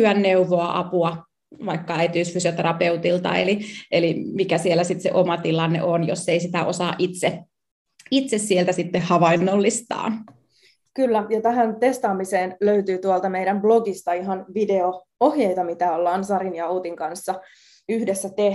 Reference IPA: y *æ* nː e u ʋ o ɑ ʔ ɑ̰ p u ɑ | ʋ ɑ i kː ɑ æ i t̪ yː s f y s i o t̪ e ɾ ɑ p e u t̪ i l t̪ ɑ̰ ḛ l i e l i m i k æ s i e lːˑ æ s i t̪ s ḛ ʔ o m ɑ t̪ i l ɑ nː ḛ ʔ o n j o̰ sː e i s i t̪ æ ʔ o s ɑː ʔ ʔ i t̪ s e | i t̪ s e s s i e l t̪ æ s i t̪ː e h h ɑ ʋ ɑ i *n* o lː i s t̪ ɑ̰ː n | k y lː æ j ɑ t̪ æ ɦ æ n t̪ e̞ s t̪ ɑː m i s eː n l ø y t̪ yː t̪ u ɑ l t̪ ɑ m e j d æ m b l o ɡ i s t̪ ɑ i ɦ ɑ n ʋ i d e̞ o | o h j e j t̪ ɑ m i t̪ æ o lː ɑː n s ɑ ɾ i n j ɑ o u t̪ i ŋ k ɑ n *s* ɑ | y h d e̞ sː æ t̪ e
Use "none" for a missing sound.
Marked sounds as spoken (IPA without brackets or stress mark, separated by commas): æ, nː, sː